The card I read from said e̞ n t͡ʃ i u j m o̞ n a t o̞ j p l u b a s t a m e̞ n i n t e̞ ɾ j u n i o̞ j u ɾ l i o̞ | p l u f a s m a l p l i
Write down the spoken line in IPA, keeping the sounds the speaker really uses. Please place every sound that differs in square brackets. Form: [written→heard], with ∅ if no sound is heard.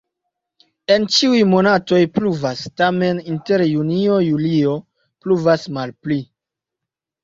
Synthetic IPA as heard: e̞ n t͡ʃ i u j m o̞ n a t o̞ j p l u [b→v] a s t a m e̞ n i n t e̞ ɾ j u n i o̞ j u [ɾ→∅] l i o̞ | p l u [f→v] a s m a l p l i